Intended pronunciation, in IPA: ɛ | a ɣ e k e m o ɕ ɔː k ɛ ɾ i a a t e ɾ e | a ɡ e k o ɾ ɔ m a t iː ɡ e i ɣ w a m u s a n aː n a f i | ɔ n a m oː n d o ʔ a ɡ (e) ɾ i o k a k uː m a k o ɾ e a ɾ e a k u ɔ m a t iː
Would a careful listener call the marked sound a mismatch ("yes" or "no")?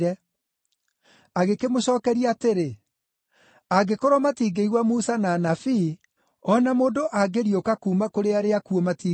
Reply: no